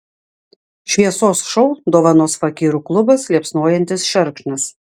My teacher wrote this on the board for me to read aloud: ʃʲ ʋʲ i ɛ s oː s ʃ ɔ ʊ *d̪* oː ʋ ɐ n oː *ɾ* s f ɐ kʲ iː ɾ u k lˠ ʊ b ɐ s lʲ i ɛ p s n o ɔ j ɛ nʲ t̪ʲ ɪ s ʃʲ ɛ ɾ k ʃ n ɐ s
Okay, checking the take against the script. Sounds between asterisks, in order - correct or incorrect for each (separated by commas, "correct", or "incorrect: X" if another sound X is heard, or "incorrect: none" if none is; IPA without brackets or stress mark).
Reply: correct, incorrect: none